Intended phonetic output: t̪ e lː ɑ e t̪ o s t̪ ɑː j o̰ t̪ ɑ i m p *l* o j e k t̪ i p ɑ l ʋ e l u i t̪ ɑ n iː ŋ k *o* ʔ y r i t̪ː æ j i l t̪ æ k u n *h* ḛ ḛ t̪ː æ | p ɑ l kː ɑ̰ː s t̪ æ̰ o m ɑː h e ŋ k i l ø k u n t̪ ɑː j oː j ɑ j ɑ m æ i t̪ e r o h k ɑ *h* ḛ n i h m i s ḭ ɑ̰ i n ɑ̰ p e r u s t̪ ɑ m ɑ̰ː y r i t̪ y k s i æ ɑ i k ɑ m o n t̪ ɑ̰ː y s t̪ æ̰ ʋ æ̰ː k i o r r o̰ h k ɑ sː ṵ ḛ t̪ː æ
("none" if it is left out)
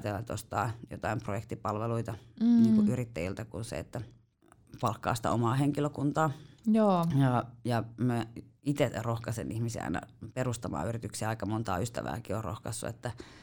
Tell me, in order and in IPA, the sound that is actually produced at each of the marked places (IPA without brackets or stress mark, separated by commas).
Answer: r, u, s, s